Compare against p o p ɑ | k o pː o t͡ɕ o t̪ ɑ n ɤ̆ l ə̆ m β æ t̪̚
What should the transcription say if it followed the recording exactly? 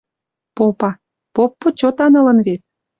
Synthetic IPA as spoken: p o p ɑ | p o pː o t͡ɕ o t̪ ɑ n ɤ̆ l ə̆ n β e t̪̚